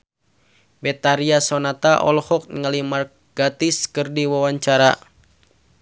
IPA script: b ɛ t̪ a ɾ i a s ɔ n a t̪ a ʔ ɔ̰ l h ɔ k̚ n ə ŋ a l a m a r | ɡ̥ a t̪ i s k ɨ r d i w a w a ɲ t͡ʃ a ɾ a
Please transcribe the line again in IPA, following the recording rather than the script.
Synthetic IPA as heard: b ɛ t̪ a ɾ i a s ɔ n a t̪ a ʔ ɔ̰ l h ɔ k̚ n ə ŋ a l i m a r | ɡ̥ a t̪ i s k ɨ r d i w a w a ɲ t͡ʃ a ɾ a